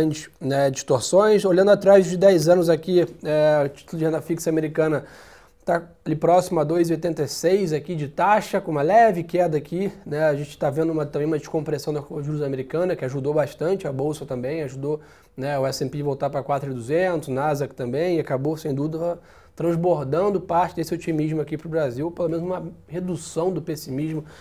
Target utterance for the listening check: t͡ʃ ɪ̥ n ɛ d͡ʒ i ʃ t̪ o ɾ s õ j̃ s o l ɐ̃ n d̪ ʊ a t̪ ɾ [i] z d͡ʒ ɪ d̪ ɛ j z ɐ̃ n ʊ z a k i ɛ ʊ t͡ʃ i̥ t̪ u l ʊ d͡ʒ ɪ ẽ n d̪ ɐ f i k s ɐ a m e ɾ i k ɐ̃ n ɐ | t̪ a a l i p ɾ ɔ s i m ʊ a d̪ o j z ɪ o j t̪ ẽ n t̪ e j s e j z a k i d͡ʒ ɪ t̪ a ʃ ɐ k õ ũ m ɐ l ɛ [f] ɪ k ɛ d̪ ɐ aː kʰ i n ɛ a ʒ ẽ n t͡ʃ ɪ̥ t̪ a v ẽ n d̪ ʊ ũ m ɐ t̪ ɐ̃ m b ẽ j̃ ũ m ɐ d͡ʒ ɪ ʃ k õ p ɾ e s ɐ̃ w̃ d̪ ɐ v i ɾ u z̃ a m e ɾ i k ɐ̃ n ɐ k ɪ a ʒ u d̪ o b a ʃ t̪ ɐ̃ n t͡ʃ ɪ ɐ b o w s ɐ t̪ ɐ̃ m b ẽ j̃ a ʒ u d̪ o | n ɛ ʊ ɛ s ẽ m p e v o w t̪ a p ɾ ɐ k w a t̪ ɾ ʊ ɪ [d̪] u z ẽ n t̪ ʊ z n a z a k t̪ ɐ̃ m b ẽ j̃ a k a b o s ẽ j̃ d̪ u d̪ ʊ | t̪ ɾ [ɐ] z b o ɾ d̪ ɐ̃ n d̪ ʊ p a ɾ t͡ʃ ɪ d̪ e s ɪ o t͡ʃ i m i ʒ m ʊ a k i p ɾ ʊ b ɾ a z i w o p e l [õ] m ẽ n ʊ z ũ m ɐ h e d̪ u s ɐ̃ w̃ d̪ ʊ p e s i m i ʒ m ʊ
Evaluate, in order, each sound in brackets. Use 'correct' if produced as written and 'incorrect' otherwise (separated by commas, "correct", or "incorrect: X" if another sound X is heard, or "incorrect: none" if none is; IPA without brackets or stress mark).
incorrect: a, incorrect: v, correct, incorrect: ɐ̃, incorrect: o